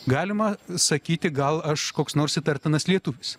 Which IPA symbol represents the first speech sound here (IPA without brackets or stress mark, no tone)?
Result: ɡ